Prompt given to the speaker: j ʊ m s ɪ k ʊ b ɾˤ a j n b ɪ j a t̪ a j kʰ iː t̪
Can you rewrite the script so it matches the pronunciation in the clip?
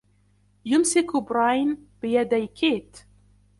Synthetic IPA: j ʊ m s ɪ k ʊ b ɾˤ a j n b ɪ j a d̪ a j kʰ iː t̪